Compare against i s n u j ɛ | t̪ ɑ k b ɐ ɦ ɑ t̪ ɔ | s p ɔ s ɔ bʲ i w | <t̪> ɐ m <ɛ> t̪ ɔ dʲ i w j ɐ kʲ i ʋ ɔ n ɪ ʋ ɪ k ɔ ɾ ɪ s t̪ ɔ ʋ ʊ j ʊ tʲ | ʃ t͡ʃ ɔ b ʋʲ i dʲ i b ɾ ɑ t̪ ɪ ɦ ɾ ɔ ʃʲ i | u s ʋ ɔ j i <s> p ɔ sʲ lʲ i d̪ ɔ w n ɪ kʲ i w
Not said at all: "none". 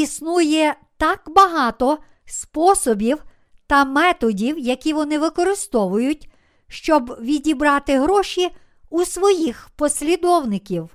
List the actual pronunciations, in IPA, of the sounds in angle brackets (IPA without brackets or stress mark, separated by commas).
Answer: t̪, ɛ, x